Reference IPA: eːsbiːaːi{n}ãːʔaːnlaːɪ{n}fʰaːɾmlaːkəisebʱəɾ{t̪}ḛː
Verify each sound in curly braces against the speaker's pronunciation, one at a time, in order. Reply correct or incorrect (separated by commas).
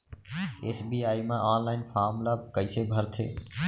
incorrect, correct, incorrect